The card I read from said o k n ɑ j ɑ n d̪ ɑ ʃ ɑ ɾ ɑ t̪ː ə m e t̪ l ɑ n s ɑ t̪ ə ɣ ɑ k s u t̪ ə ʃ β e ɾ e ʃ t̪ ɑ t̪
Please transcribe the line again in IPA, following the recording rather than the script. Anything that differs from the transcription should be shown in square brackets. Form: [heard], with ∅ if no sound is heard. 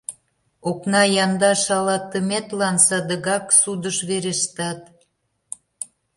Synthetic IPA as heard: o k n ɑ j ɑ n d̪ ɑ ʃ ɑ [l] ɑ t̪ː ə m e t̪ l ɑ n s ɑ [d̪] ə ɣ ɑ k s u [d̪] ə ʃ β e ɾ e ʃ t̪ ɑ t̪

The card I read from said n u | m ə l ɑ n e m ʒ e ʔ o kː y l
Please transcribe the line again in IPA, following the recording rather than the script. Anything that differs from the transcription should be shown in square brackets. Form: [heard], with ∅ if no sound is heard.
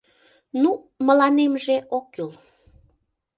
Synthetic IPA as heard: n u | m ə l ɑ n e m ʒ e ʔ o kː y l

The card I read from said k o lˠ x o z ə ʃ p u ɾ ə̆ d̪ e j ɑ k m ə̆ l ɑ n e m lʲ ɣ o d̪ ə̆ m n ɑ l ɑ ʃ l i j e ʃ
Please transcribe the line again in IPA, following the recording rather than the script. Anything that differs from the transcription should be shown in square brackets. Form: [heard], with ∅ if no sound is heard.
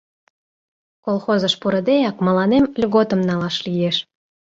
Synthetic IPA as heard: k o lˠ x o z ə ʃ p u ɾ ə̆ d̪ e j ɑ k m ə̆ l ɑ n e m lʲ ɣ o [t̪] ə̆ m n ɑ l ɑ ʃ l i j e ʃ

